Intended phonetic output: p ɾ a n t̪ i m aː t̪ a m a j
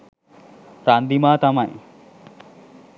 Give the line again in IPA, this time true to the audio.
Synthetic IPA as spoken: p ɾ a n d̪ i m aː t̪ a m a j